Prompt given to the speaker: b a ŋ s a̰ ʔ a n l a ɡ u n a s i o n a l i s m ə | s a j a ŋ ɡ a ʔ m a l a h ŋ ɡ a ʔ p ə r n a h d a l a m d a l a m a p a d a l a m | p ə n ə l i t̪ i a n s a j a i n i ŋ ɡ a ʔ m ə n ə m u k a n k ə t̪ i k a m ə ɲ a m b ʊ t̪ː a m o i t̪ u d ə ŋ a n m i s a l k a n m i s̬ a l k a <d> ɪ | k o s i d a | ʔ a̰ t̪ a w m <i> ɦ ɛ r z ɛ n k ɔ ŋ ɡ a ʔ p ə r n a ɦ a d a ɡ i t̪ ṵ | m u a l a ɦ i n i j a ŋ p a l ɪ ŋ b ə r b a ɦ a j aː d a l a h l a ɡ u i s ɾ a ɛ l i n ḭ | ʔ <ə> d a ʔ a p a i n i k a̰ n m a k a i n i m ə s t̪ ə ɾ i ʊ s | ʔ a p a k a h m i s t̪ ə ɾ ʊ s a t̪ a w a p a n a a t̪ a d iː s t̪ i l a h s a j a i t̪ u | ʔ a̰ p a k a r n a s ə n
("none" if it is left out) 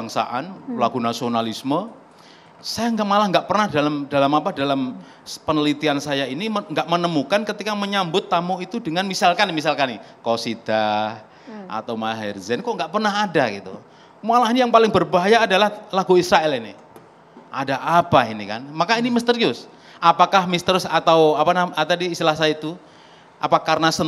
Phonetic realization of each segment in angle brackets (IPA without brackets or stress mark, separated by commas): n, a, a